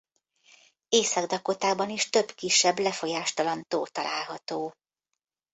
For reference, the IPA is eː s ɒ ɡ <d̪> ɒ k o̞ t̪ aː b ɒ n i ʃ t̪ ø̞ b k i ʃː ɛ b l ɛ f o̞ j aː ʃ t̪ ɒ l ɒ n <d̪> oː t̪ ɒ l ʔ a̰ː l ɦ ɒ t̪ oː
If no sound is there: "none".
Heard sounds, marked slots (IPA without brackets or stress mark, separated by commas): d̪, t̪